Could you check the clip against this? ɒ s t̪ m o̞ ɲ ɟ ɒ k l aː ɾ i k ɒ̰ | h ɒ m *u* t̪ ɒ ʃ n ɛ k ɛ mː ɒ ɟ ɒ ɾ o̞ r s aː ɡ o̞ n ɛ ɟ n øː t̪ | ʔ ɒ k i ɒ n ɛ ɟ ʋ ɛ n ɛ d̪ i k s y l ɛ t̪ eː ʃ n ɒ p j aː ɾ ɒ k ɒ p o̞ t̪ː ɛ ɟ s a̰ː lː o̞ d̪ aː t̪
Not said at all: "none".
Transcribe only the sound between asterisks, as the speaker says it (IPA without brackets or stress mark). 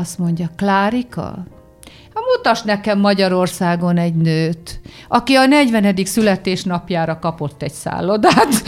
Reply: u